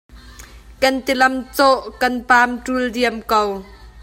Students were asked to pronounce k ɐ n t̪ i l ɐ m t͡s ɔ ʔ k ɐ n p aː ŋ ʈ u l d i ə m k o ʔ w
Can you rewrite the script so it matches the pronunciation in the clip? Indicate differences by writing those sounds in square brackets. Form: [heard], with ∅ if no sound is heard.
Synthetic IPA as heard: k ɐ n t̪ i l ɐ m t͡s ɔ ʔ k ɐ n p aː [m] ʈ u l d i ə m k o [∅] w